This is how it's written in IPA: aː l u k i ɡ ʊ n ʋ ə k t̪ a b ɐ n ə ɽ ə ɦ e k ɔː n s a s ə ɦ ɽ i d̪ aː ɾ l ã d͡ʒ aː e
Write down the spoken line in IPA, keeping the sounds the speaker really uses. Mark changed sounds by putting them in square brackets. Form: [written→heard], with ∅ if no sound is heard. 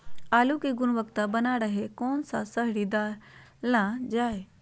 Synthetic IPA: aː l u k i ɡ ʊ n ʋ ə k t̪ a b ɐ n [ə→a] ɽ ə ɦ e k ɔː n s a s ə ɦ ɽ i d̪ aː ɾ l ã d͡ʒ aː e